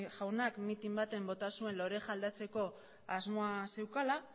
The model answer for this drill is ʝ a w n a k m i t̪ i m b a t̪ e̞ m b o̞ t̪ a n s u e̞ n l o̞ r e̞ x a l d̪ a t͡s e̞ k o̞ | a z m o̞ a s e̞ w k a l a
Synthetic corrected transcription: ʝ a w n a k m i t̪ i m b a t̪ e̞ m b o̞ t̪ a s u e̞ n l o̞ ɾ e̞ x a l d̪ a t͡s e̞ k o̞ | a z m o̞ a s e̞ w k a l a